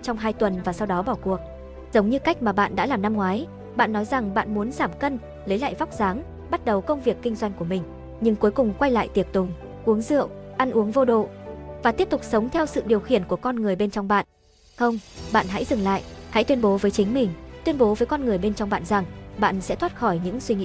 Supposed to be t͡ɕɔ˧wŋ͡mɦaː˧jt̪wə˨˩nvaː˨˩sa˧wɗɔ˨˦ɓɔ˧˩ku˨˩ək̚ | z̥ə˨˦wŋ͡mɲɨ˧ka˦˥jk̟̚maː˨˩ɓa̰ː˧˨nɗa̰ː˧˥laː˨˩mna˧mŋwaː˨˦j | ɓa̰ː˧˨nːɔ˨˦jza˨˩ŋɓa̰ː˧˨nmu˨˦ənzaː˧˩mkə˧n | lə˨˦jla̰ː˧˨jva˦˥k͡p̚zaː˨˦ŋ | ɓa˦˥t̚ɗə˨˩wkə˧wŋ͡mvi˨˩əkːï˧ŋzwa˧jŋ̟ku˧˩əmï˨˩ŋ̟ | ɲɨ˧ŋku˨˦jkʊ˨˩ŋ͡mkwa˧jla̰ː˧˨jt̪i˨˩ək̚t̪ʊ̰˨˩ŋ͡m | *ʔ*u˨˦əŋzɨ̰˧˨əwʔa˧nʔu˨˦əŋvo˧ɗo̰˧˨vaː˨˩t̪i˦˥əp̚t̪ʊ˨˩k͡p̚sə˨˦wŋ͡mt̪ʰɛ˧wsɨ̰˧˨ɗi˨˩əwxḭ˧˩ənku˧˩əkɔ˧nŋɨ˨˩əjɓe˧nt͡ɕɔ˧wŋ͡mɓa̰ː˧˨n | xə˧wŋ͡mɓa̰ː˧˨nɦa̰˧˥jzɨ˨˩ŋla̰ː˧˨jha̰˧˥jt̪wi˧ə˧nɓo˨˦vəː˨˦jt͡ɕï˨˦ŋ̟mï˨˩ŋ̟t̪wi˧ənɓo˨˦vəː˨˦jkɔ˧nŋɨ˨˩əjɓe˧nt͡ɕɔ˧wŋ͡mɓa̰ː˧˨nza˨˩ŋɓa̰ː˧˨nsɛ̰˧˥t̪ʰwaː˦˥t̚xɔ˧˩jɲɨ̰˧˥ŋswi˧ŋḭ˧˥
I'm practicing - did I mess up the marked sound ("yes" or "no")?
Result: no